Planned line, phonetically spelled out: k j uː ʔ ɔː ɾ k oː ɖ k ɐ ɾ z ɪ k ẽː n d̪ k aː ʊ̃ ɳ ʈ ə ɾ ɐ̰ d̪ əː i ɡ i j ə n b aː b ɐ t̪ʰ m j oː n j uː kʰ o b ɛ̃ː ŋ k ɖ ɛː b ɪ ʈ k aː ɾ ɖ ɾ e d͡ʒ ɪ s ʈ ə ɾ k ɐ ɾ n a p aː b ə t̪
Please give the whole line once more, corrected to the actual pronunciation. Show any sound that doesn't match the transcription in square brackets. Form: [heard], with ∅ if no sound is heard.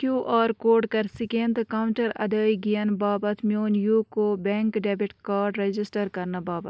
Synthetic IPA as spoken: k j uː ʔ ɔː ɾ k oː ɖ k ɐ ɾ [s] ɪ k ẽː n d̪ k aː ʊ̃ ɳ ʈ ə ɾ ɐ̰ d̪ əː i ɡ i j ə n b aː b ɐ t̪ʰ m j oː n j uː [k] o b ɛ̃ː ŋ k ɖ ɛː b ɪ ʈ k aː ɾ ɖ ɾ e d͡ʒ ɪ s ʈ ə ɾ k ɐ ɾ n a [b] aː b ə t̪